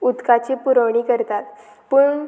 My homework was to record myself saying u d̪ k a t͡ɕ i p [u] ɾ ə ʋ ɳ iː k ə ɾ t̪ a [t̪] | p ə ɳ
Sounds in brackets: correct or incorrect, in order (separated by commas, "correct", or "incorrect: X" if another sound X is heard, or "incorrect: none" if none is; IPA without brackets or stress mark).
correct, correct